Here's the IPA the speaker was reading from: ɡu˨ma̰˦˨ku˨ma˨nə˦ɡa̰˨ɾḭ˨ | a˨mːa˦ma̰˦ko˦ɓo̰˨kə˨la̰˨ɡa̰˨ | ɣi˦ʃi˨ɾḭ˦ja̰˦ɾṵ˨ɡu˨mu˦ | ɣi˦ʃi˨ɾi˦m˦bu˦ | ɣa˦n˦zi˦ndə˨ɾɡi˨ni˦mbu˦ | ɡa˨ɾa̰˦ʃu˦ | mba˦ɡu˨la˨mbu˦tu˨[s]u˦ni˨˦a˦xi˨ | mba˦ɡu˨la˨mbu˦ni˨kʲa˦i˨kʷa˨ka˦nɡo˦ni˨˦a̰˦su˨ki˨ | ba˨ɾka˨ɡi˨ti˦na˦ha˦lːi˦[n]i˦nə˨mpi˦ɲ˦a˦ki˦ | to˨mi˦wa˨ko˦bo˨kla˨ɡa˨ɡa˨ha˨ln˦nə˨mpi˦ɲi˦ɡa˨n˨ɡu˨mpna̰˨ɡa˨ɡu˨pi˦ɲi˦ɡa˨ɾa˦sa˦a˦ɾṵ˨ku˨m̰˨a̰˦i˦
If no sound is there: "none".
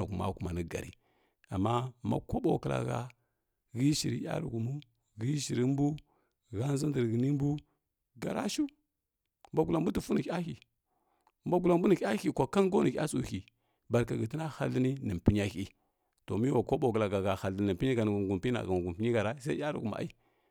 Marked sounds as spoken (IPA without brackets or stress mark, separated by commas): f, n